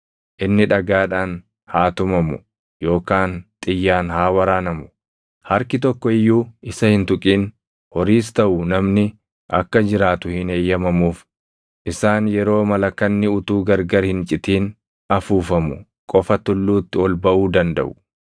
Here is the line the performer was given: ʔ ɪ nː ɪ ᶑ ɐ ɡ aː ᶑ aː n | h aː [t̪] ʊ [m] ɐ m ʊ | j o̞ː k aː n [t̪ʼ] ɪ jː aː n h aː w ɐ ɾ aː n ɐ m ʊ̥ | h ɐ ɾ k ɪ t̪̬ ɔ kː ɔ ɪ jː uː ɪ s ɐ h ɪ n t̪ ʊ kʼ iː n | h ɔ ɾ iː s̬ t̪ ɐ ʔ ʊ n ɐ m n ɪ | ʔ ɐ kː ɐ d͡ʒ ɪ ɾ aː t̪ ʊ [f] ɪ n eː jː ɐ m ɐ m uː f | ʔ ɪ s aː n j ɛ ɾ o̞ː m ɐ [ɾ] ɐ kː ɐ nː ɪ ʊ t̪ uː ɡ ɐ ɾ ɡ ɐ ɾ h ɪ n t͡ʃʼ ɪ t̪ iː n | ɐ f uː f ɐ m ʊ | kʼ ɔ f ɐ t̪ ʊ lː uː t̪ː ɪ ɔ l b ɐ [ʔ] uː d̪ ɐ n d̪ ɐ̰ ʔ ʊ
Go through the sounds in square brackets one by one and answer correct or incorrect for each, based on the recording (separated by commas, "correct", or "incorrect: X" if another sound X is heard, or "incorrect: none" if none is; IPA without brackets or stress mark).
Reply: correct, correct, correct, incorrect: h, incorrect: l, correct